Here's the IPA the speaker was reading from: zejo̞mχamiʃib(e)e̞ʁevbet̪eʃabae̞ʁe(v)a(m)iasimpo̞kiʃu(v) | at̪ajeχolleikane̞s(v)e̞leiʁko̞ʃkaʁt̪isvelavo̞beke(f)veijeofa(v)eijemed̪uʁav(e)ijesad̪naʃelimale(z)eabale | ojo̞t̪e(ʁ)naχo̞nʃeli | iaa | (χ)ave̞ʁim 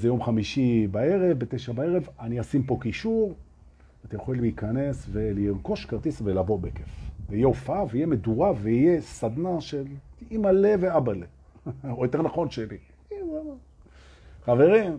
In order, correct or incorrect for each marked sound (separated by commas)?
incorrect, correct, incorrect, incorrect, correct, correct, correct, correct, incorrect, correct, correct